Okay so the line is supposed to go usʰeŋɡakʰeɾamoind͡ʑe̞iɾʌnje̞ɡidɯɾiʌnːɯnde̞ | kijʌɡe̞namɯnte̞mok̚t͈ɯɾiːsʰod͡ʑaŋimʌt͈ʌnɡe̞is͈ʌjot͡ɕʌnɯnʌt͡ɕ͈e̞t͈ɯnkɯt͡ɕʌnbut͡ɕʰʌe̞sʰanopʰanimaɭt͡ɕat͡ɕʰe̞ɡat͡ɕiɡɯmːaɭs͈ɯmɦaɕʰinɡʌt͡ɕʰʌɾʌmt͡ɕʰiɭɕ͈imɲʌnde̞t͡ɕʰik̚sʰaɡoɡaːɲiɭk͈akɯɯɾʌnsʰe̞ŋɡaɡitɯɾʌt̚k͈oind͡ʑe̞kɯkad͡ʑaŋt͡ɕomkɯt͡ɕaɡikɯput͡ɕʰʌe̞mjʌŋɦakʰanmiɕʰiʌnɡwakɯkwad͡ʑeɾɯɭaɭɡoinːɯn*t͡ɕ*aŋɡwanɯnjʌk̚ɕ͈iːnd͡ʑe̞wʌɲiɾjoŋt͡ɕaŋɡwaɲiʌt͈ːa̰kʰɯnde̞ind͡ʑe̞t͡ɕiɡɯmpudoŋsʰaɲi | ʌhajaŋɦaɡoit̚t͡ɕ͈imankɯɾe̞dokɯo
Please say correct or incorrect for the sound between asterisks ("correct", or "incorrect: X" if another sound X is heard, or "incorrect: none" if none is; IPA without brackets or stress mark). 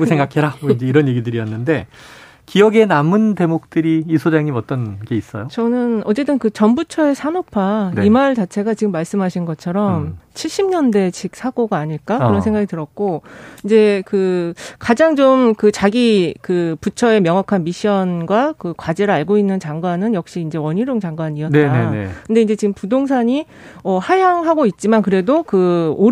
correct